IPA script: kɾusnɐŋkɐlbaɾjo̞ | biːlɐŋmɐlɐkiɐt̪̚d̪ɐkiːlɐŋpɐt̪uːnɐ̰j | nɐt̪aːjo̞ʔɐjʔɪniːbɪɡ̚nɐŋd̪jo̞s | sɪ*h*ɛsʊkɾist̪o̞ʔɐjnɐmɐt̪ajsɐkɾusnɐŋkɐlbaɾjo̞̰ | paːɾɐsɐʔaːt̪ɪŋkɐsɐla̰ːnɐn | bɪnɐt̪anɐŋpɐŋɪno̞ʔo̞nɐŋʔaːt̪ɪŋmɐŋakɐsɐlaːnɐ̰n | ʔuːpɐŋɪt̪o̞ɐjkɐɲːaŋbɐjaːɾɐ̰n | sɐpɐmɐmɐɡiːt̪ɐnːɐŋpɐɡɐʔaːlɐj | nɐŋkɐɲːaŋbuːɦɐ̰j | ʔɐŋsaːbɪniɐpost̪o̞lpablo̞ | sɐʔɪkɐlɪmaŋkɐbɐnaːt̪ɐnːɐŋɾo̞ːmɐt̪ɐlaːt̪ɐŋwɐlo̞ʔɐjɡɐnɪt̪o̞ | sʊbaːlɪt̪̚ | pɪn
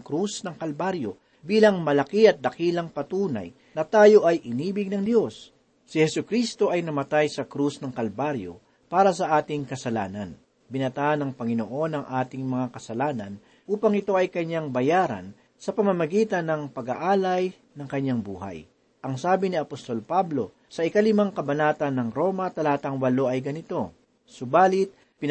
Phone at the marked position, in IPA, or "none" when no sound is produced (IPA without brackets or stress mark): h